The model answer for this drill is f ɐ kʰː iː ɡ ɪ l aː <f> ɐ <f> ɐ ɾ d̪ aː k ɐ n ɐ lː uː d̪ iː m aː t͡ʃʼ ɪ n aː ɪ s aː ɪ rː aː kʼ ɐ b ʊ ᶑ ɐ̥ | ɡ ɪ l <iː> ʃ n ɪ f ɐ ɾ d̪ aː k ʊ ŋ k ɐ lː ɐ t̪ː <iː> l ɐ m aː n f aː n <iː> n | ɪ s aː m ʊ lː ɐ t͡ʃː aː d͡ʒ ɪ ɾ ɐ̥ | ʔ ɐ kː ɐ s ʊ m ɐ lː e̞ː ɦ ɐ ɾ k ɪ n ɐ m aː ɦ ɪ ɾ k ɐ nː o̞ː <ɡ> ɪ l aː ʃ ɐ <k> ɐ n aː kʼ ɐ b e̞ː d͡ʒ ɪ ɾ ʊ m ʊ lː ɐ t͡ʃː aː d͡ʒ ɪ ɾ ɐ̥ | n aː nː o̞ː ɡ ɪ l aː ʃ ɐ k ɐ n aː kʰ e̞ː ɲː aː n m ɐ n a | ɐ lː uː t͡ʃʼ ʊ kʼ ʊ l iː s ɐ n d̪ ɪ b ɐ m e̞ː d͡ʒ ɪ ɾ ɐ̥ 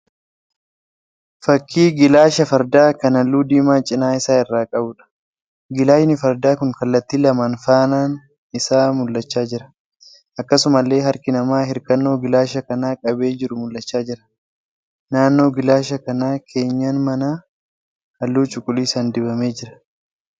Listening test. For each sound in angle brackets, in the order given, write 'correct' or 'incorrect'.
incorrect: ʃ, correct, incorrect: aː, correct, incorrect: aː, correct, correct

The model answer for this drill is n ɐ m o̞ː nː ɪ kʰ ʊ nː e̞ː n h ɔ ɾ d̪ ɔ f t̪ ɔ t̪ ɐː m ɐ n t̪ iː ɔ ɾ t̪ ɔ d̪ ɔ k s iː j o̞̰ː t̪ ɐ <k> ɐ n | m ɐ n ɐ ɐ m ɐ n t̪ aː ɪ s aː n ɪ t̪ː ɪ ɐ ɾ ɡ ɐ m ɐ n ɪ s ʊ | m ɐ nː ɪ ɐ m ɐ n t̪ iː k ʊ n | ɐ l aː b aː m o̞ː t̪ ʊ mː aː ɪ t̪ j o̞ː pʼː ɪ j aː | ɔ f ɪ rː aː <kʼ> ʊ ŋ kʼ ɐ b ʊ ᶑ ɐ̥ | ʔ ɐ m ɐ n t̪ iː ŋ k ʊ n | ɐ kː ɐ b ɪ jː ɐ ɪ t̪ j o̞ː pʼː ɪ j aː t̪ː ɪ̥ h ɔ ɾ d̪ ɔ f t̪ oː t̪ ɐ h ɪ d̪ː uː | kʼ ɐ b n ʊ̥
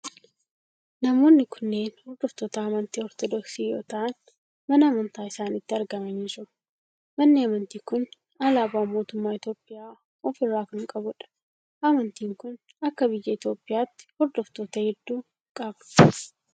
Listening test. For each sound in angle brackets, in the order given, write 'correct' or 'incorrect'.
incorrect: ʔ, incorrect: k

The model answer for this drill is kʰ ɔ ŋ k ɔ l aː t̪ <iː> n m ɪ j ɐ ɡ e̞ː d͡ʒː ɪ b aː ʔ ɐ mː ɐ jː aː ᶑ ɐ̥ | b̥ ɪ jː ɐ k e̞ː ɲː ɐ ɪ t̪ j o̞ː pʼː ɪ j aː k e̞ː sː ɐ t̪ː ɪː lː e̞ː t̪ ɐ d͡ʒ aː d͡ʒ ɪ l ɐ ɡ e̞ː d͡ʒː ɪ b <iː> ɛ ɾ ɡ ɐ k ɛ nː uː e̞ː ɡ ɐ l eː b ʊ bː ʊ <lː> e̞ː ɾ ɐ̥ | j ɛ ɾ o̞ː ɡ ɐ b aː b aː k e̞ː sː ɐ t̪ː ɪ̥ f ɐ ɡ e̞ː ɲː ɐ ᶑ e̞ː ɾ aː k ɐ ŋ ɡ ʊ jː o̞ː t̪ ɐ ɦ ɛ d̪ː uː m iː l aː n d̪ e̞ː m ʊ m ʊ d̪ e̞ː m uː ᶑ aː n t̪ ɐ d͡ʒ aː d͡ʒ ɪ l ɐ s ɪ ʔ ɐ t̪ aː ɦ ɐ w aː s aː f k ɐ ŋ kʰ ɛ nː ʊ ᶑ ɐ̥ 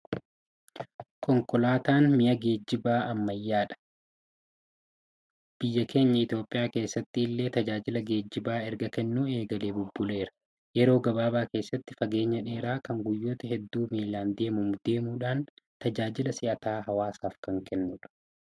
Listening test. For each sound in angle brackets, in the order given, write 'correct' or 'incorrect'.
incorrect: aː, incorrect: aː, incorrect: l

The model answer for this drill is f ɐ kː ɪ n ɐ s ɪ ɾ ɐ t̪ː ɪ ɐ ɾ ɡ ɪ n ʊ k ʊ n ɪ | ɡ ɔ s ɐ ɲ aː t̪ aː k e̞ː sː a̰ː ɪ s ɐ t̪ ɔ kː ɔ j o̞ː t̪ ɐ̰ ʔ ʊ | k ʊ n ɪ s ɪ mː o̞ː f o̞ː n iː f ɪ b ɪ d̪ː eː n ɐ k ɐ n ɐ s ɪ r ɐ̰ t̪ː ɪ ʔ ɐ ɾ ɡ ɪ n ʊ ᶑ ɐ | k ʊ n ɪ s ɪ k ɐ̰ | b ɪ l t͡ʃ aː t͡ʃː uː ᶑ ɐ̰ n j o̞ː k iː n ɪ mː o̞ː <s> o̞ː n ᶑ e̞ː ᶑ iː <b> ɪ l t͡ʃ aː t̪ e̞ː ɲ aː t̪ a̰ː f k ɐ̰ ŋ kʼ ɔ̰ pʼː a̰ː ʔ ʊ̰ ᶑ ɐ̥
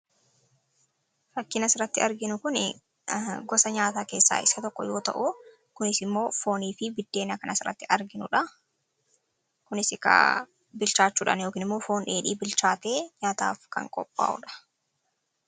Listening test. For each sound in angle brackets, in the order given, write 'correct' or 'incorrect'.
incorrect: f, correct

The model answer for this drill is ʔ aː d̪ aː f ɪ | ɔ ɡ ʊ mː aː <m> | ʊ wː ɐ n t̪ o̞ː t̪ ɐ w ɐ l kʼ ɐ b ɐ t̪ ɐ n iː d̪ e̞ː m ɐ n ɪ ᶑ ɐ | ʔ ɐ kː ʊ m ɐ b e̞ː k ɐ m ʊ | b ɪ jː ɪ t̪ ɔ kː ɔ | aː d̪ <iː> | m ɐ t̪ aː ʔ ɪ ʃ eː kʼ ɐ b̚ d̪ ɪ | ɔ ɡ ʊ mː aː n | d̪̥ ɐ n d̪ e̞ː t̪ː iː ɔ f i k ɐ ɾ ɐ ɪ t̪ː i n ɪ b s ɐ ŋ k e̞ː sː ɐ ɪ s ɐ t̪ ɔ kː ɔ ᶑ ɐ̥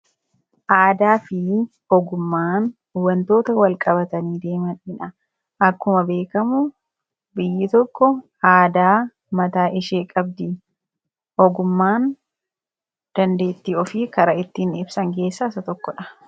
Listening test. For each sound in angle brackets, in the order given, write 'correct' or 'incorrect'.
incorrect: n, incorrect: aː

